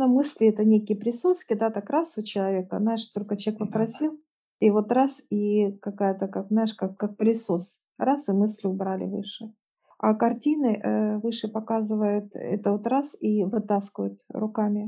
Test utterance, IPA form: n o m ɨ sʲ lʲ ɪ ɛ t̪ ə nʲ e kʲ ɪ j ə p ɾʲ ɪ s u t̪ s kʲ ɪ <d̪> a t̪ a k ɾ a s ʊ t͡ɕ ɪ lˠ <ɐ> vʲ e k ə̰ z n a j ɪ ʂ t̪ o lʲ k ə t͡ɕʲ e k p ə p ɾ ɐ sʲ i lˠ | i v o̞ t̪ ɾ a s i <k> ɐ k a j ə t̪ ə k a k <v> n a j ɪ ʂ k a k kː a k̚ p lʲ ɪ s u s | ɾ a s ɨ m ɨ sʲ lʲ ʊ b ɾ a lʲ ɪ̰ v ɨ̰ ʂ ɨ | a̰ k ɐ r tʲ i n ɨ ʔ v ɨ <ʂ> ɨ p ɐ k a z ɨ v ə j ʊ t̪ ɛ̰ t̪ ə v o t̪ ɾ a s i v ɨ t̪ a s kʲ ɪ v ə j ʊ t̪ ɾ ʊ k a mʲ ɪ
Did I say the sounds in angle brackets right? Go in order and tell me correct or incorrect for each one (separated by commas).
correct, correct, correct, incorrect, correct